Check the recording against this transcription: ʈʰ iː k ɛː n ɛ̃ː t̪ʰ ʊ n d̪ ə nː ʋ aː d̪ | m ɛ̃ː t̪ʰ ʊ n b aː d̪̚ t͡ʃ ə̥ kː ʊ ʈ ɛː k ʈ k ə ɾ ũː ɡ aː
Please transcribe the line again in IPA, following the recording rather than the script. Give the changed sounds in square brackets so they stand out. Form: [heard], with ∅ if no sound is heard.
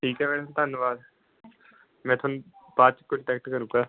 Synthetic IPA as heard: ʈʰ iː k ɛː [m] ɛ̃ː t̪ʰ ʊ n [t̪] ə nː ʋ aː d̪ | m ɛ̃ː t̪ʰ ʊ n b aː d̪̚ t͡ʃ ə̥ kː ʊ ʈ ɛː k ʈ k ə ɾ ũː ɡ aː